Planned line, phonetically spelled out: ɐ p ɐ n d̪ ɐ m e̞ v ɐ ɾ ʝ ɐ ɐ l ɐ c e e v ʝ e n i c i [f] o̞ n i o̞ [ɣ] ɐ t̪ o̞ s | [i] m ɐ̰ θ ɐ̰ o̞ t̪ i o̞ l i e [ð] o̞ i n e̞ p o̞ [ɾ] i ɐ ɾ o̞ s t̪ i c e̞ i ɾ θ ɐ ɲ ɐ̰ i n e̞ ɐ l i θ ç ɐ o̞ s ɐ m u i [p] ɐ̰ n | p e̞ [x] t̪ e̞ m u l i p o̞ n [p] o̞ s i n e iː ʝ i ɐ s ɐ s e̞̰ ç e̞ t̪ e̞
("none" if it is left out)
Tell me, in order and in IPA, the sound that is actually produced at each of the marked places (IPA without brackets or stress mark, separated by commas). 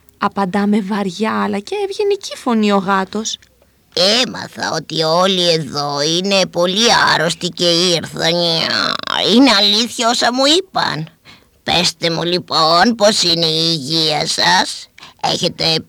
f, ɣ, e, ð, l, p, s, p